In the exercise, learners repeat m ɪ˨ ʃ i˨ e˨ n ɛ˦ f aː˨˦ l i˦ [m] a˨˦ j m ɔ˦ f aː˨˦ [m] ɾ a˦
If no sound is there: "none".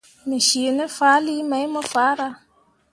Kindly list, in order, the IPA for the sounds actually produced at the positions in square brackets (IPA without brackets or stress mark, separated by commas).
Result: m, none